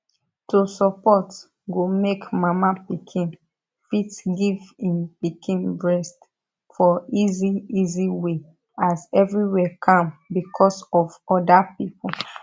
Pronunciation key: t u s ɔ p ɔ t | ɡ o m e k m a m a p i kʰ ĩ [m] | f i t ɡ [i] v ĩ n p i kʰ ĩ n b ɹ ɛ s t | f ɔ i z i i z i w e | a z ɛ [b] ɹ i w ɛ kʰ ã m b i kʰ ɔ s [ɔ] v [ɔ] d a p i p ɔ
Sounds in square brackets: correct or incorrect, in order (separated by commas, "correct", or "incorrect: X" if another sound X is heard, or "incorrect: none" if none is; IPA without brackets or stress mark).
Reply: incorrect: n, correct, incorrect: v, correct, correct